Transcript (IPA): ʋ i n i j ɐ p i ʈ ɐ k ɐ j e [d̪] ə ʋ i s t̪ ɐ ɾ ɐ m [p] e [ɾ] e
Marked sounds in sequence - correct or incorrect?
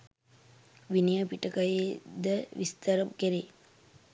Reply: correct, incorrect: k, correct

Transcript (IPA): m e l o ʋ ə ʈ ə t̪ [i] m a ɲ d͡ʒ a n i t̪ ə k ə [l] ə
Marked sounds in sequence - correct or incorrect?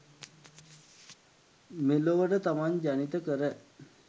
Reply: incorrect: a, incorrect: ɾ

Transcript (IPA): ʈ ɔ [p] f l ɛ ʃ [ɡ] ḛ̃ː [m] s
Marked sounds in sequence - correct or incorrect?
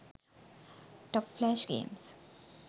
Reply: correct, correct, correct

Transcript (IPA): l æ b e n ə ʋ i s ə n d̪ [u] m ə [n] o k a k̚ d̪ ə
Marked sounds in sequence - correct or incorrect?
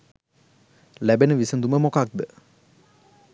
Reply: correct, incorrect: m

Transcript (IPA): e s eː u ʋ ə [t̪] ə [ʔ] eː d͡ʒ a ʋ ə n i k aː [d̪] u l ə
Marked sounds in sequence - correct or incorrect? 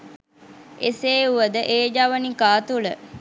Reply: incorrect: d̪, correct, incorrect: t̪

